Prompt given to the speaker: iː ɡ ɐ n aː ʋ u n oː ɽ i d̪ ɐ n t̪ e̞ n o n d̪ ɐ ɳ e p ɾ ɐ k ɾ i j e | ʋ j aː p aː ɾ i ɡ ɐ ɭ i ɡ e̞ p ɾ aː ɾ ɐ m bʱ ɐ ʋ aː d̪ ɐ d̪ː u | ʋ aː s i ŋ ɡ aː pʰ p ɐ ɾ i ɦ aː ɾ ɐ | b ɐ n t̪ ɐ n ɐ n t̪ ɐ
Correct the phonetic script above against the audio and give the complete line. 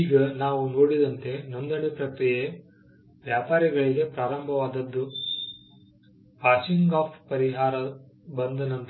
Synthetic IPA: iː ɡ ɐ n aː ʋ u n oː ɽ i d̪ ɐ n t̪ e̞ n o n d̪ ɐ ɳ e p ɾ ɐ k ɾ i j e | ʋ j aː p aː ɾ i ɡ ɐ ɭ i ɡ e̞ p ɾ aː ɾ ɐ m bʱ ɐ ʋ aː d̪ ɐ d̪ː u | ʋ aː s i ŋ ɡ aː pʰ p ɐ ɾ i ɦ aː ɾ ɐ | b ɐ n d̪ ɐ n ɐ n t̪ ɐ